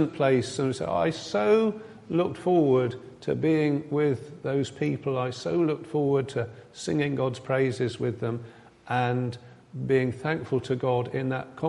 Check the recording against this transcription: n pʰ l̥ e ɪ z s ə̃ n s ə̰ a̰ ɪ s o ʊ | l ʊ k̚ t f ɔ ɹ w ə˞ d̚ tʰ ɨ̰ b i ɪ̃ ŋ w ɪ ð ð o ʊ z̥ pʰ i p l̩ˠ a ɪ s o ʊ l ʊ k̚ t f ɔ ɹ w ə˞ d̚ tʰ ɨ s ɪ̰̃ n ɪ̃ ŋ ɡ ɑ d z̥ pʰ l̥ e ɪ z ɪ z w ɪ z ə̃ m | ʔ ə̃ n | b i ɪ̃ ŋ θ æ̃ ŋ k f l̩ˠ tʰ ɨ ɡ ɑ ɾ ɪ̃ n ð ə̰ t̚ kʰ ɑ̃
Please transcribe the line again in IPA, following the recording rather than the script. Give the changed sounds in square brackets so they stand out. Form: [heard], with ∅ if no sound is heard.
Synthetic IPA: n pʰ l̥ e ɪ [s] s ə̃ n s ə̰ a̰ ɪ s o ʊ | l ʊ k̚ t f ɔ ɹ w ə˞ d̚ tʰ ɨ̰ b i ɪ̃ ŋ w ɪ ð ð o ʊ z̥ pʰ i p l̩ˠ a ɪ s o ʊ l ʊ k̚ t f ɔ ɹ w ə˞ d̚ tʰ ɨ s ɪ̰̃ [ŋ] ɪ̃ ŋ ɡ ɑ d z̥ pʰ [ɹ̥] e ɪ z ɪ z w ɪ [ð] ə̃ m | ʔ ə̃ n | b i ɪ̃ ŋ θ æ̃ ŋ k f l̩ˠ tʰ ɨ ɡ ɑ ɾ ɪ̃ n ð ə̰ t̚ kʰ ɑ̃